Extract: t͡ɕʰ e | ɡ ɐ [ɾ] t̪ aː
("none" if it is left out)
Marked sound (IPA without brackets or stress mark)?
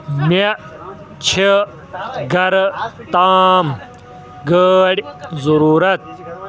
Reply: ɾ